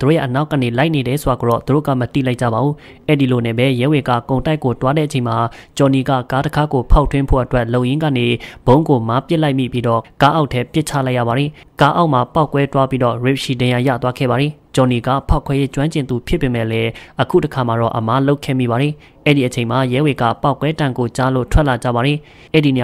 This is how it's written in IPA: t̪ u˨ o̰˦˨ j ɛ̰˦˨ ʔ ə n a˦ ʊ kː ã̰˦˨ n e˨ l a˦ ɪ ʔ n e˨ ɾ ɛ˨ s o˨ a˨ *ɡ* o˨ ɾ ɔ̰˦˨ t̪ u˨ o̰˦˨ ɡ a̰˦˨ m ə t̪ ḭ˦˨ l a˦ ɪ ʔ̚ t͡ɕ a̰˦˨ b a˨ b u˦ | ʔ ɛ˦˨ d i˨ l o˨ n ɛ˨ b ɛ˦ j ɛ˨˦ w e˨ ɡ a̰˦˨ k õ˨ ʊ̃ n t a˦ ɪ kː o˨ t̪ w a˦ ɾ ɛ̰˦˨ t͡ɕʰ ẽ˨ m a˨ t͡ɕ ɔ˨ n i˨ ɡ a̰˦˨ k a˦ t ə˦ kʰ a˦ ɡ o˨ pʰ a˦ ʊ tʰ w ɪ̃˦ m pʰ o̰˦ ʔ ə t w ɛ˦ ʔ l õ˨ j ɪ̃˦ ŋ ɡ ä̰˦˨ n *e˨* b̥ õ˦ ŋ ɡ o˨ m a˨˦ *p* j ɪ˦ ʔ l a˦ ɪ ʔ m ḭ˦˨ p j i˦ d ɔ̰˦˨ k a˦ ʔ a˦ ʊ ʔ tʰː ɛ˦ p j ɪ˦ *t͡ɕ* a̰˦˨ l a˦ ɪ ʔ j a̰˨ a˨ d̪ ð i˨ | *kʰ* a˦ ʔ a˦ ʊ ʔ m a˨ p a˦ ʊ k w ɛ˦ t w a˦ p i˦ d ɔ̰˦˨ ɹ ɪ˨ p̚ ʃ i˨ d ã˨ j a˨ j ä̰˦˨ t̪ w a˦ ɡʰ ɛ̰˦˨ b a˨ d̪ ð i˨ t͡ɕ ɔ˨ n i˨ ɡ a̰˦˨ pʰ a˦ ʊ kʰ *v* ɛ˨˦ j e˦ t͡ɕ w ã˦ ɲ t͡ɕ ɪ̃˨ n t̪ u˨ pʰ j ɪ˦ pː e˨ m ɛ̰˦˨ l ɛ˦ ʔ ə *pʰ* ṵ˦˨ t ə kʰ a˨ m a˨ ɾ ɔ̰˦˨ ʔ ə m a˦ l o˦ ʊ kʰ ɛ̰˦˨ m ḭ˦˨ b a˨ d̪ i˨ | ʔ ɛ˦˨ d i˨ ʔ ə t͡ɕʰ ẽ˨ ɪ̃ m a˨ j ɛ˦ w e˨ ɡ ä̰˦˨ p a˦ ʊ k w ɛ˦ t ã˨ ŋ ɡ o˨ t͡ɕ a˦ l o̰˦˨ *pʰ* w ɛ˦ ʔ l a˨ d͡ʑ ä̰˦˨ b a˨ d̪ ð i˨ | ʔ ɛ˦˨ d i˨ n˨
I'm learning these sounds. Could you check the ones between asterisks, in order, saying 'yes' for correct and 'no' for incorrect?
yes, yes, yes, no, no, no, no, no

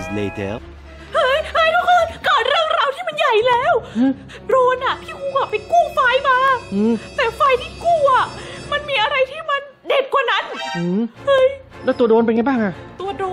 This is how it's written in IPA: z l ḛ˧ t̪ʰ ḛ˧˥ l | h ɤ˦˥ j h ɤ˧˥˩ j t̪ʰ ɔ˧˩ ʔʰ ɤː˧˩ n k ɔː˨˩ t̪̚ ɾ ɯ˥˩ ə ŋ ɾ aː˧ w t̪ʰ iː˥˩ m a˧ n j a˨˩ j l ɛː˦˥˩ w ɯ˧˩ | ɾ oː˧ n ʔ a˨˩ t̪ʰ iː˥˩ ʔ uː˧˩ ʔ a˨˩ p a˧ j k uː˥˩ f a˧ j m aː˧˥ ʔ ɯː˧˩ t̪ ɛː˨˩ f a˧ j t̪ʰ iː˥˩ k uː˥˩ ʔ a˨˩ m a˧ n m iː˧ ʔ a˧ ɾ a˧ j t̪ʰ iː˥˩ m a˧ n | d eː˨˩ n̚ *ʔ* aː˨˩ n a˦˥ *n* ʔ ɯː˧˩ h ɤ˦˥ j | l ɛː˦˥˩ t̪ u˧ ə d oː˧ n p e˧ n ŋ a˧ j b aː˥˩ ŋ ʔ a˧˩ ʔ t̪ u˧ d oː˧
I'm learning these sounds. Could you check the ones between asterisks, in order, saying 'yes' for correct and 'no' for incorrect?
no, yes

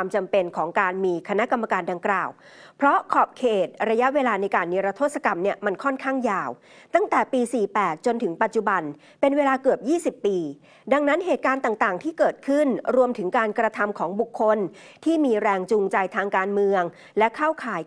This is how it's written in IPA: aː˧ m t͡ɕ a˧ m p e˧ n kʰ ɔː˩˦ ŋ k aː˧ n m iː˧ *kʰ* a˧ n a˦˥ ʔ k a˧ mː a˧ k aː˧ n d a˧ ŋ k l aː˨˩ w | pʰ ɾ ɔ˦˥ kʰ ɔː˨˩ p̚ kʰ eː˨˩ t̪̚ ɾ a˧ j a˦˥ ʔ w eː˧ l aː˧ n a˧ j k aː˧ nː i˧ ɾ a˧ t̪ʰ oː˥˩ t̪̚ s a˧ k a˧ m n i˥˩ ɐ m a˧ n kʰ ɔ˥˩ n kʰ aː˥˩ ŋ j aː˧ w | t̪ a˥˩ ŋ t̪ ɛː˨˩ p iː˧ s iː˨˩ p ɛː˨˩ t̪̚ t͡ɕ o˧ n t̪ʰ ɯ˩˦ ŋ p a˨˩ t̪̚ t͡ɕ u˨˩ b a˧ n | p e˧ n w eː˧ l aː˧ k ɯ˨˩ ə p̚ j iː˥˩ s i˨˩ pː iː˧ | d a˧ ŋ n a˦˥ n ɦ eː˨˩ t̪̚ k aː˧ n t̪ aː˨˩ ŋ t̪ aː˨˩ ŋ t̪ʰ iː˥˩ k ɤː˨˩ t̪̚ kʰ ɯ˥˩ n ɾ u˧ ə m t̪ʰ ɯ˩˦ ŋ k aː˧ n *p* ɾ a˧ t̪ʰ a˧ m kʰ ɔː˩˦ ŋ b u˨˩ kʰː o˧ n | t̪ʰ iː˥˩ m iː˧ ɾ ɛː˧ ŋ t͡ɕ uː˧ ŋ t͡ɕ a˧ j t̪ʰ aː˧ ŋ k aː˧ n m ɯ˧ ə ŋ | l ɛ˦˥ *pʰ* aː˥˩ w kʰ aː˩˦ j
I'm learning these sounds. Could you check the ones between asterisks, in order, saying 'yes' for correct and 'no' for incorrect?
yes, no, no

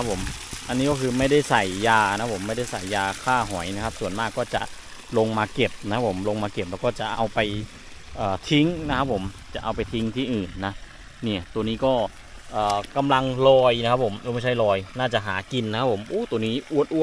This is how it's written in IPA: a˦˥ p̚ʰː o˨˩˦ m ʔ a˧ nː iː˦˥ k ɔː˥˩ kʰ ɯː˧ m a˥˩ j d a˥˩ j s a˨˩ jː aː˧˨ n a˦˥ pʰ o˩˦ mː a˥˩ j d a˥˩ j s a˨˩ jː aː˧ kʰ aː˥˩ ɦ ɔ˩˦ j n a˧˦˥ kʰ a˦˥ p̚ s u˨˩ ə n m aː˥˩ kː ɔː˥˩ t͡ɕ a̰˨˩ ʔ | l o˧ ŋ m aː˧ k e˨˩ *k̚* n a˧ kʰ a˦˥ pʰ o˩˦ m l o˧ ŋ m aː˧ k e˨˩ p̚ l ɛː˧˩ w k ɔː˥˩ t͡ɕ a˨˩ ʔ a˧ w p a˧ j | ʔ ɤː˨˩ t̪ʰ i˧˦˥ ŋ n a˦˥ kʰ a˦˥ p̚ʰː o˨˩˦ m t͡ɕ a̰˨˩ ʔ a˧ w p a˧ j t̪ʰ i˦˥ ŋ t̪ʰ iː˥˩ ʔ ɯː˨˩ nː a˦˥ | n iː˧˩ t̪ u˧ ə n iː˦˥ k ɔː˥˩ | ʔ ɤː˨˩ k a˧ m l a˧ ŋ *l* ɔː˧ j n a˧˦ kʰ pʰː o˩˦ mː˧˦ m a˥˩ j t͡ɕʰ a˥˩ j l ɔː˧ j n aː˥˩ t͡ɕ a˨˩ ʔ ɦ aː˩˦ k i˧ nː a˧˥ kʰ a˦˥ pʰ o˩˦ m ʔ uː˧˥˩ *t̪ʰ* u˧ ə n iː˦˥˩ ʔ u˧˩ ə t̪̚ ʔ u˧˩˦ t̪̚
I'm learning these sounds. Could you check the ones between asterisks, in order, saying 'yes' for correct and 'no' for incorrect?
no, yes, no

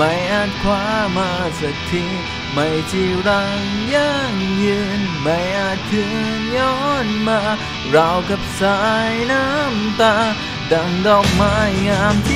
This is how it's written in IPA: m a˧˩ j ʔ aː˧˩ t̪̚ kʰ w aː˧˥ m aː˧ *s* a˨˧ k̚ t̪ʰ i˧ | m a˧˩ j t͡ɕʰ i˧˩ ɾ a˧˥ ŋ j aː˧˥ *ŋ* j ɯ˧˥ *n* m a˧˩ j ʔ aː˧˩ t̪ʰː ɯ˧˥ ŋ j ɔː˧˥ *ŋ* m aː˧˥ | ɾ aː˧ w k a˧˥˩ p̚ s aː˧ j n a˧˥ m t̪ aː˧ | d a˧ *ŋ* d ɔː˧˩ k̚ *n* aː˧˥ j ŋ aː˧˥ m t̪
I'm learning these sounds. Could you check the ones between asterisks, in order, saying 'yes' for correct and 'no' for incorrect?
yes, yes, yes, no, yes, no

